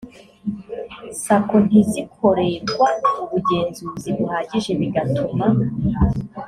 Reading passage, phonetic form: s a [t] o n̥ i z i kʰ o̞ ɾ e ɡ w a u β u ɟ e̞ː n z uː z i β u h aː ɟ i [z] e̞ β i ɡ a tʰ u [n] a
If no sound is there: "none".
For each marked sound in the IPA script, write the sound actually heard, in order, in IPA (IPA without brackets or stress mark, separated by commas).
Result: k, ʒ, m